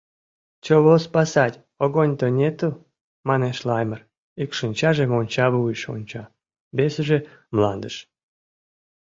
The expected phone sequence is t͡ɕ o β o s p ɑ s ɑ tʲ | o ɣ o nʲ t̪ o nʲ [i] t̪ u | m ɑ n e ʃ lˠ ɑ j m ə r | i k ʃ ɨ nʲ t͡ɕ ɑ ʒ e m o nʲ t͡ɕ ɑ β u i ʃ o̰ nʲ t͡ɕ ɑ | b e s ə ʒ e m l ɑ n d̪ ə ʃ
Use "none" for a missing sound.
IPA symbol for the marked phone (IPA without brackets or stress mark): e